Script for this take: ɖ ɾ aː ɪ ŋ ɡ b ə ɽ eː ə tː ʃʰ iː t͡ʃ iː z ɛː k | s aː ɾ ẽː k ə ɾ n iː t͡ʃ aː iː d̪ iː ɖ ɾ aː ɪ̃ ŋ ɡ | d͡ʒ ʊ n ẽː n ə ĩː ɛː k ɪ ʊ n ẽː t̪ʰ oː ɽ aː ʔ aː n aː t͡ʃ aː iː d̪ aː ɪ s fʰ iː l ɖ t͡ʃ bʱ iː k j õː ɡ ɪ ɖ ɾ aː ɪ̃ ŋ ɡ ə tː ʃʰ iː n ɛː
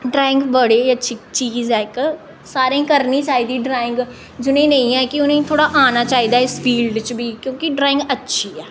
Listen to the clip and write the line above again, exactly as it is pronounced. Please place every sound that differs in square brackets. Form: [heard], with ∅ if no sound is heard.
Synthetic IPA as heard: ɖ ɾ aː ɪ ŋ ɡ b ə ɽ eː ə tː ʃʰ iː t͡ʃ iː z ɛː k | s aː ɾ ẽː k ə ɾ n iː t͡ʃ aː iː d̪ iː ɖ ɾ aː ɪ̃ ŋ ɡ | d͡ʒ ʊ n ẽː n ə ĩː ɛː k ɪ ʊ n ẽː t̪ʰ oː ɽ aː ʔ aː n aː t͡ʃ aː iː d̪ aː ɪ s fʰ iː l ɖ t͡ʃ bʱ iː k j õː [k] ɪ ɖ ɾ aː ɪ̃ ŋ ɡ ə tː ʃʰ iː [∅] ɛː